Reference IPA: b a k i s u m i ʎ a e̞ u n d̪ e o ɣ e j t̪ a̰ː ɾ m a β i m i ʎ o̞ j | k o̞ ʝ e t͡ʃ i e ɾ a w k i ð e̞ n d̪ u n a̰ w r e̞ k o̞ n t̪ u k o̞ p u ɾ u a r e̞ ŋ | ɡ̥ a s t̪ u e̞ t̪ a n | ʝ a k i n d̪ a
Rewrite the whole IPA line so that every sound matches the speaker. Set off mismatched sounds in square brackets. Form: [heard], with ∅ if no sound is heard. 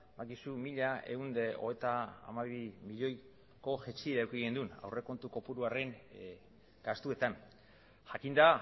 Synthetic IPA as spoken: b a k i s u m i ʎ a e̞ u n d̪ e o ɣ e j t̪ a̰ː [∅] m a β i m i ʎ o̞ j | k o̞ ʝ e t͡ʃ i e ɾ a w k i [ɣ] e̞ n d̪ u n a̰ w r e̞ k o̞ n t̪ u k o̞ p u ɾ u a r e̞ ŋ | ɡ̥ a s t̪ u e̞ t̪ a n | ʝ a k i n d̪ a